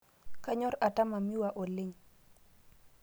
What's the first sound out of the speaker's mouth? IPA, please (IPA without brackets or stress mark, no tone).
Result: k